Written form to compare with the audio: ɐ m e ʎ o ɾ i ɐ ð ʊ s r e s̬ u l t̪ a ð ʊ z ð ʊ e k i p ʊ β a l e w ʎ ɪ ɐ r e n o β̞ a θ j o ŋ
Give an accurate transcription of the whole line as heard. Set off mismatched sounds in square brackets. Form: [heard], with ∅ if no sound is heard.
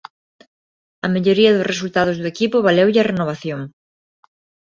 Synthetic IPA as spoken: ɐ m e ʎ o ɾ i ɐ ð ʊ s r e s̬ u l t̪ a ð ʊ z ð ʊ e k i p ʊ β a l e w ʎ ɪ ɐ r e n o β̞ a θ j o ŋ